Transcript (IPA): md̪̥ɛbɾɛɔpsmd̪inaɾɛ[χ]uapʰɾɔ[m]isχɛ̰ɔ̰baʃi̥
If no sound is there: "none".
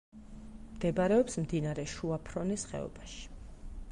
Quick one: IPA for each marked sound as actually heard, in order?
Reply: ʃ, n

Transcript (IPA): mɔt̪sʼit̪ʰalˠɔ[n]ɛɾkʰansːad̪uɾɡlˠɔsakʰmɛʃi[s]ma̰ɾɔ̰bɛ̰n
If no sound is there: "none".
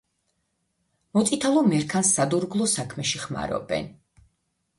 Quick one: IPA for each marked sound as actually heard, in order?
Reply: m, χ

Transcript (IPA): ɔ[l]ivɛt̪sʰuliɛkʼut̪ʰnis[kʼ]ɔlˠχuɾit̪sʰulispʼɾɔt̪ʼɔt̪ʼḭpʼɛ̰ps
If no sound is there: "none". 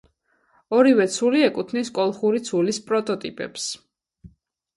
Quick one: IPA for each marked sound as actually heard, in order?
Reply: ɾ, kʼ

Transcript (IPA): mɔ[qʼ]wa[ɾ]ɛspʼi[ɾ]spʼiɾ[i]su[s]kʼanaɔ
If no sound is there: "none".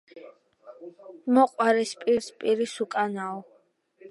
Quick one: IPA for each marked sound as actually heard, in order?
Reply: qʼ, ɾ, ɾ, i, none

